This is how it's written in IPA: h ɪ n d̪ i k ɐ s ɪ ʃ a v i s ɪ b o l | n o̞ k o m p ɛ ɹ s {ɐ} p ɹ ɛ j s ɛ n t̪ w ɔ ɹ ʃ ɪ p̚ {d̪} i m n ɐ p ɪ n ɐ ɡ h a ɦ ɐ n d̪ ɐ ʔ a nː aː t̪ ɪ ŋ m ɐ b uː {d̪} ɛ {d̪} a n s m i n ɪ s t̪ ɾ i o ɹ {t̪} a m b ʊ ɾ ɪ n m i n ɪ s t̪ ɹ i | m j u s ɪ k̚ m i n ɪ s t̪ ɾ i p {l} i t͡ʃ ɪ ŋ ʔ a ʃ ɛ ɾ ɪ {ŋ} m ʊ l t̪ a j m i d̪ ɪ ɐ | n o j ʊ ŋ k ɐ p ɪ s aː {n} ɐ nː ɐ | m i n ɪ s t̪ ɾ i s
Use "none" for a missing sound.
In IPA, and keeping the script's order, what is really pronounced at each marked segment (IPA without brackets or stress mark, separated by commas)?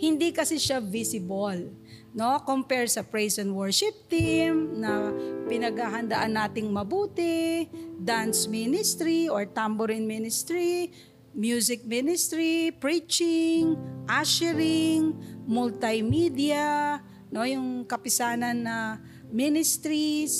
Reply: ɐ, t̪, t̪, d̪, t̪, ɹ, ŋ, n